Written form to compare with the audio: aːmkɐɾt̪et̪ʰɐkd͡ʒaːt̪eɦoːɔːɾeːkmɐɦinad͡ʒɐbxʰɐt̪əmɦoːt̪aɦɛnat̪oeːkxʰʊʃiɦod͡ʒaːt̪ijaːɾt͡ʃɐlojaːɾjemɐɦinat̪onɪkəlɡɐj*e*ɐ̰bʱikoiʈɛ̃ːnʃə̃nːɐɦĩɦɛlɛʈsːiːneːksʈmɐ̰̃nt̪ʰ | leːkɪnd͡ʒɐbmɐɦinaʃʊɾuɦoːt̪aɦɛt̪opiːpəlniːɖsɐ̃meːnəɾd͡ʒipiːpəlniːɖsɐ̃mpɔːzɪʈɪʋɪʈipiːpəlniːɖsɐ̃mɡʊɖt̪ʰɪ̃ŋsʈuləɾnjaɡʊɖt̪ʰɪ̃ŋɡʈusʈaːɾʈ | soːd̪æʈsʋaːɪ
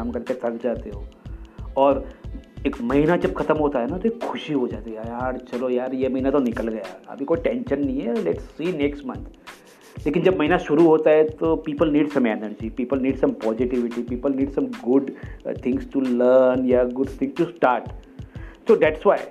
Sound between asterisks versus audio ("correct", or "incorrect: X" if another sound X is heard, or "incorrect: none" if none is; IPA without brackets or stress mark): incorrect: a